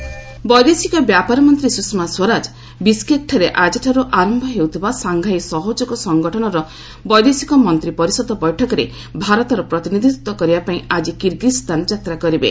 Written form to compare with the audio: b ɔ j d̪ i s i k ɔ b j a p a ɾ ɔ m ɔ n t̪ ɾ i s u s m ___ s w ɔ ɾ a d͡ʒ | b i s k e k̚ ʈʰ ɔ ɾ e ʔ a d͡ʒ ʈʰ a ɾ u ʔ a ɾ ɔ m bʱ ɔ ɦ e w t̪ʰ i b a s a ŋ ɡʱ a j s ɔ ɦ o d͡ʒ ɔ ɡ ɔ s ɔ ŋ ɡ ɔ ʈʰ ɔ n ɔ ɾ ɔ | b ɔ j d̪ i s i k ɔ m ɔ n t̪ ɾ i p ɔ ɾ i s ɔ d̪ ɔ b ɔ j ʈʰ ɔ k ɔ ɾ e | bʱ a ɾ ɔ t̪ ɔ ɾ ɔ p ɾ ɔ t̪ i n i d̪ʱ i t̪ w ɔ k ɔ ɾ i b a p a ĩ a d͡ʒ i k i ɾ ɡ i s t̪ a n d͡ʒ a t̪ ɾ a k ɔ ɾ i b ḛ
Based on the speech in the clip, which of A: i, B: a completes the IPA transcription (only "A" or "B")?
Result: B